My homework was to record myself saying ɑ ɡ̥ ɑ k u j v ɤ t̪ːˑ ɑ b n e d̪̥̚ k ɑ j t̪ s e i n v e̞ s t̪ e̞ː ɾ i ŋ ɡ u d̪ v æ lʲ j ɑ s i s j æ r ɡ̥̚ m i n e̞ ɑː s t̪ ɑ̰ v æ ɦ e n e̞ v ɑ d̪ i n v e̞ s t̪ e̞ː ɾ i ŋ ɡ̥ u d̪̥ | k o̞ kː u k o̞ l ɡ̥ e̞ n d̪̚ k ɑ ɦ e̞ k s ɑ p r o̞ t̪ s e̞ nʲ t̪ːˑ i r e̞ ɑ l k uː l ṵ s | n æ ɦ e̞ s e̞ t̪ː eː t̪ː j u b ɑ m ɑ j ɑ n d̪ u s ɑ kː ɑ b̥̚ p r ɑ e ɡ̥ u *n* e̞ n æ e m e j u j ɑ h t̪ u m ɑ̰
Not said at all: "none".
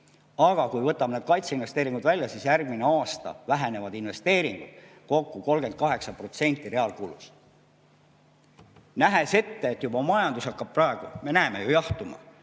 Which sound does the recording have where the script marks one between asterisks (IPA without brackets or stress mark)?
m